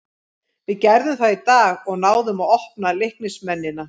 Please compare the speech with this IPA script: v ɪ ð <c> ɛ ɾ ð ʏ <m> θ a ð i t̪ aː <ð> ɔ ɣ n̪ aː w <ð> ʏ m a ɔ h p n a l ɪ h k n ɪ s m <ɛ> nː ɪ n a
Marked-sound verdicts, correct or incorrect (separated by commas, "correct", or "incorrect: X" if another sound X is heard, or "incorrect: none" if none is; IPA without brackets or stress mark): correct, correct, incorrect: ɣ, correct, correct